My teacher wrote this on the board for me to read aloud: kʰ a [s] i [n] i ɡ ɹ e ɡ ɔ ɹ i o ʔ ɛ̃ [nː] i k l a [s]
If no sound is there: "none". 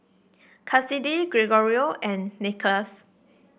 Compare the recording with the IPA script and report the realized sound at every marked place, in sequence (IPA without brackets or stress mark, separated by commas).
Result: s, d, nː, s